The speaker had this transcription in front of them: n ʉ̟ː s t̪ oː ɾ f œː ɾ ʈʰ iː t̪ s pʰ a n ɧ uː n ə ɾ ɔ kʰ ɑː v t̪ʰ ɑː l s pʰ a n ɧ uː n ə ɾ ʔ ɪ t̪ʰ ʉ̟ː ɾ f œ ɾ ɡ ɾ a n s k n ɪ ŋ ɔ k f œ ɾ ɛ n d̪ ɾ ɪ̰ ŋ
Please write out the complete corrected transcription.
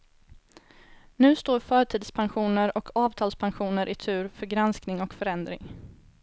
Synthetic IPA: n ʉ̟ː s t̪ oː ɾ f œː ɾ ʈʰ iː d̪ s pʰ a n ɧ uː n ə ɾ ɔ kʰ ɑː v t̪ʰ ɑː l s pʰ a n ɧ uː n ə ɾ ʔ ɪ t̪ʰ ʉ̟ː ɾ f œ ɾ ɡ ɾ a n s k n ɪ ŋ ɔ k f œ ɾ ɛ n d̪ ɾ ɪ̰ ŋ